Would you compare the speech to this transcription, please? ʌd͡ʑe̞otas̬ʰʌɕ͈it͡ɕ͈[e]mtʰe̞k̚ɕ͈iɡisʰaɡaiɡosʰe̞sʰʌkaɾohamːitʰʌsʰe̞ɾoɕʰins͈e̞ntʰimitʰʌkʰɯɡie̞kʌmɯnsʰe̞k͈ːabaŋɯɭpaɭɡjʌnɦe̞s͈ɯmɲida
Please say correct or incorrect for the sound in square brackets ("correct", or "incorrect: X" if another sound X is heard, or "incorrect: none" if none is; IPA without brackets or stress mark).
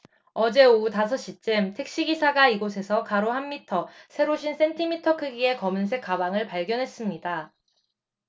correct